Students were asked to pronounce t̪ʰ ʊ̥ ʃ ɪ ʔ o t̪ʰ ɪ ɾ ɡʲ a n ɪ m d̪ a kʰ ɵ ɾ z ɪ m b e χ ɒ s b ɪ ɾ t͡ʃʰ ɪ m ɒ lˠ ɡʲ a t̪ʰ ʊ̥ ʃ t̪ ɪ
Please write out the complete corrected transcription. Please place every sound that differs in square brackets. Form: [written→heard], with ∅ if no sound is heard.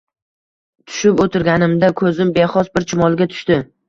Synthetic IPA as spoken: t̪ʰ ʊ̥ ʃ ɪ [ʔ→p] o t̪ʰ ɪ ɾ ɡʲ a n ɪ m d̪ a kʰ ɵ [ɾ→∅] z ɪ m b e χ ɒ s b ɪ ɾ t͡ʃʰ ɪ m ɒ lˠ ɡʲ a t̪ʰ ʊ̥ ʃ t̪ ɪ